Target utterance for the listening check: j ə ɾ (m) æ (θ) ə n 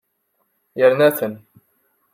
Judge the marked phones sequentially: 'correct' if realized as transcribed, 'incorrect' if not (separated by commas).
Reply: incorrect, correct